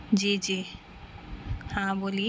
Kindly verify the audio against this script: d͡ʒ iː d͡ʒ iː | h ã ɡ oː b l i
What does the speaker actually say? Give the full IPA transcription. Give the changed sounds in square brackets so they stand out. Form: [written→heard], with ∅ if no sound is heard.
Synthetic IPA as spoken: d͡ʒ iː d͡ʒ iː | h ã [ɡ→b] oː [b→∅] l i